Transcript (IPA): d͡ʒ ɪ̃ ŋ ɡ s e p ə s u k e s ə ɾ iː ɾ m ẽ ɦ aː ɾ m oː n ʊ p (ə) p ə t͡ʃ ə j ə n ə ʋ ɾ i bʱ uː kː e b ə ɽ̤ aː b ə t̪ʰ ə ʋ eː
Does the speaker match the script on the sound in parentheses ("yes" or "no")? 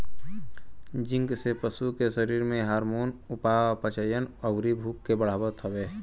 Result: no